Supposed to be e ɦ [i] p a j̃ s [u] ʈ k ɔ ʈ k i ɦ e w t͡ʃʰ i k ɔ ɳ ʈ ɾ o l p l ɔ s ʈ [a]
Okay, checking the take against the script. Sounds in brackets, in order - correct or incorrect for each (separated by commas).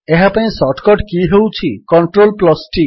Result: incorrect, incorrect, incorrect